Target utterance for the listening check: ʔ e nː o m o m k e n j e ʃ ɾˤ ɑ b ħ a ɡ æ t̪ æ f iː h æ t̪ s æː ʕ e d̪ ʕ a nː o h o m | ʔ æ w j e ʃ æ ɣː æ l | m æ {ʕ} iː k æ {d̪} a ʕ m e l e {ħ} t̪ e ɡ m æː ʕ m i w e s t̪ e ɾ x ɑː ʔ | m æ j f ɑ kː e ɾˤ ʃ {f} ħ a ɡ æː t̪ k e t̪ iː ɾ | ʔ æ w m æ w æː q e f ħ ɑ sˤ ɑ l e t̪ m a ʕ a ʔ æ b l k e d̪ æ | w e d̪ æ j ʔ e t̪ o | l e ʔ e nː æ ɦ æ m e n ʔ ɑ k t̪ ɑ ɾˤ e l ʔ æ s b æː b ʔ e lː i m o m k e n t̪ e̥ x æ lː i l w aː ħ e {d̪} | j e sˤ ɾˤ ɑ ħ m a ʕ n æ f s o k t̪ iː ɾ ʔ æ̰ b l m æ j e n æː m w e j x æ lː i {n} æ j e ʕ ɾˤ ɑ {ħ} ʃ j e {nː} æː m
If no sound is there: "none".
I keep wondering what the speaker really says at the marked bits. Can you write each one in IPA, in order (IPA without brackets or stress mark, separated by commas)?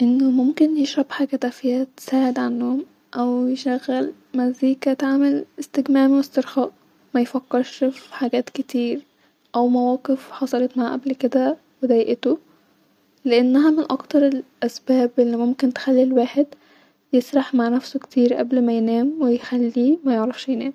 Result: z, t̪, s, f, d̪, m, f, n